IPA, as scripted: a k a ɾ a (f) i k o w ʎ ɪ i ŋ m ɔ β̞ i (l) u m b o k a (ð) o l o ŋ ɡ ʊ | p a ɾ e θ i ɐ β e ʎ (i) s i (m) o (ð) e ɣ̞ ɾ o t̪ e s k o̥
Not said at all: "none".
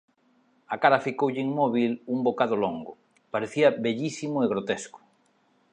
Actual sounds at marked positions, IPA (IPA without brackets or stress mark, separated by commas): f, l, ð, i, m, none